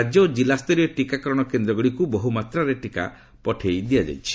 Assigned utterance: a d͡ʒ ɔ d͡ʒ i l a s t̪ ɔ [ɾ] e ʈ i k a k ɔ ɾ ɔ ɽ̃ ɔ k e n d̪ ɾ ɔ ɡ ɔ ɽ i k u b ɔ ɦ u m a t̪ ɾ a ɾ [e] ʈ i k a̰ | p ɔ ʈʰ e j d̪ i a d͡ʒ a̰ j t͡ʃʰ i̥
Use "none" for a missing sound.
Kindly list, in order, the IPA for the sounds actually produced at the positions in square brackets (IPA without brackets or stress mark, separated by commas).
ɾ, e